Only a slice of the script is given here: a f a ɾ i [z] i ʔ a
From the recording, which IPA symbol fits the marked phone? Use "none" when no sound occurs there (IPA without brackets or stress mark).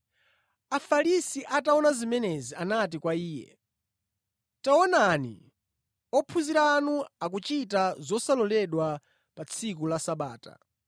s